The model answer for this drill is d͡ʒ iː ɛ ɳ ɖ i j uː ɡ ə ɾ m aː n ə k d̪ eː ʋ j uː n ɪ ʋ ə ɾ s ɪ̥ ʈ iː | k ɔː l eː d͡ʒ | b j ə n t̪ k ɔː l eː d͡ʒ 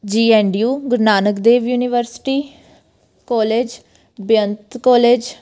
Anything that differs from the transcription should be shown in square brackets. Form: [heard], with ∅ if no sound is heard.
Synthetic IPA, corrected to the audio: d͡ʒ iː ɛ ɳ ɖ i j uː ɡ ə ɾ [n] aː n ə k d̪ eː ʋ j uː n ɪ ʋ ə ɾ s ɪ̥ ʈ iː | k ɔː l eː d͡ʒ | b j ə n t̪ k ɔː l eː d͡ʒ